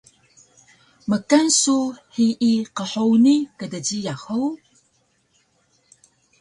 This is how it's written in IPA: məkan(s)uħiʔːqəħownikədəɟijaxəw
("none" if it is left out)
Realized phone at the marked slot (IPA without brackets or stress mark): s